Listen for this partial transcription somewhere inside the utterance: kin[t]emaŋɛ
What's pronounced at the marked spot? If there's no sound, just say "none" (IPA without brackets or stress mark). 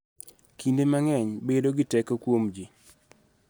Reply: d